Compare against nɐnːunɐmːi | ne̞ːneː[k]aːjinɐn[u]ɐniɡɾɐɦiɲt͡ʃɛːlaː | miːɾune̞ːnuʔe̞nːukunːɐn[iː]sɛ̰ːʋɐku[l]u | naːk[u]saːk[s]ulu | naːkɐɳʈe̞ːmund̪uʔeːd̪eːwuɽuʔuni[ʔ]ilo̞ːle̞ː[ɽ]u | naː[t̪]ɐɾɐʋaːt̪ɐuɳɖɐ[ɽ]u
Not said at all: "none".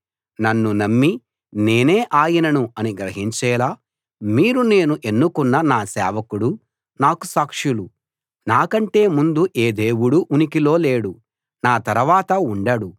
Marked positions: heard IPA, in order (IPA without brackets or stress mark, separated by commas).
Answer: ʔ, u, aː, ɽ, u, ʂ, k, ɽ, t̪, ɽ